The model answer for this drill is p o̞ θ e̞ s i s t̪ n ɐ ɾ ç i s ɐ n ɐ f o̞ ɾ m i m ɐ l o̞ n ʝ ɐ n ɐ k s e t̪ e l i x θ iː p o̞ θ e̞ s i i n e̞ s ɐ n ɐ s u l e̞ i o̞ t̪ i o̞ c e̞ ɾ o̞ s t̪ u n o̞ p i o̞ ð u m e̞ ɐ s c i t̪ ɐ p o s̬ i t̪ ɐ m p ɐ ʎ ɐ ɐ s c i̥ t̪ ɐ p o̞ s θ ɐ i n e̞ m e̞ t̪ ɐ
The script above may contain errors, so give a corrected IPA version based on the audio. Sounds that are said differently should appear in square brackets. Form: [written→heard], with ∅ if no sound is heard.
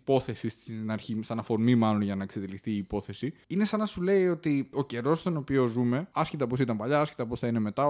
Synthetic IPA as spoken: p o̞ θ e̞ s i s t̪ n ɐ ɾ ç i s ɐ n ɐ f o̞ ɾ m i m ɐ l o̞ n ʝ ɐ n ɐ k s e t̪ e l i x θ iː p o̞ θ e̞ s i i n e̞ s ɐ n ɐ s u l e̞ i o̞ t̪ i o̞ c e̞ ɾ o̞ s t̪ [u→o] n o̞ p i o̞ [ð→z] u m e̞ ɐ s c i t̪ ɐ p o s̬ i t̪ ɐ m p ɐ ʎ ɐ ɐ s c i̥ t̪ ɐ p o̞ s θ ɐ i n e̞ m e̞ t̪ ɐ